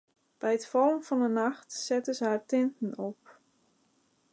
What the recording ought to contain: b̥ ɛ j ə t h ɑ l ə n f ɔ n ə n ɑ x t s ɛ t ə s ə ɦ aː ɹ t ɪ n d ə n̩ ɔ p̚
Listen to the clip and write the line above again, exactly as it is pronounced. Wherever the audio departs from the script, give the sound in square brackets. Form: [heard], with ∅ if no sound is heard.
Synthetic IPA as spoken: b̥ ɛ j ə t [f] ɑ l ə n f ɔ n ə n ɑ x t s ɛ t ə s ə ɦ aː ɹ t ɪ n [t] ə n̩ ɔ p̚